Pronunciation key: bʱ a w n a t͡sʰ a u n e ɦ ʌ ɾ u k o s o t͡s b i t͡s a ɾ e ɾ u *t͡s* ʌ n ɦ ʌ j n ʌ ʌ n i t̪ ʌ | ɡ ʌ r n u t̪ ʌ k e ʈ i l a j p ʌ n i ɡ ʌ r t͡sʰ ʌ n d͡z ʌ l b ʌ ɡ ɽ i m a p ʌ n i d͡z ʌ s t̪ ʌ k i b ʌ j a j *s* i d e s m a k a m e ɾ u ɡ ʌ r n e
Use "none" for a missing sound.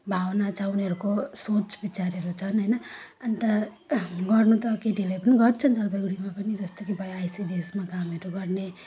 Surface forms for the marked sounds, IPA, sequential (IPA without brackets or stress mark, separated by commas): t͡sʰ, s